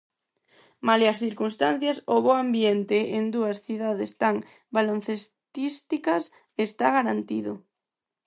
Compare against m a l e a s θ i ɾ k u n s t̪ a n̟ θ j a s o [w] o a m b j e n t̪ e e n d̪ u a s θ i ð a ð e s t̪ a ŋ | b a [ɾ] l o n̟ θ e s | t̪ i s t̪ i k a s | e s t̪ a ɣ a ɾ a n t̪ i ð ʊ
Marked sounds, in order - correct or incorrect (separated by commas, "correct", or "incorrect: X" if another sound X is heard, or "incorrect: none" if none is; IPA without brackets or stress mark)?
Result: incorrect: β, incorrect: none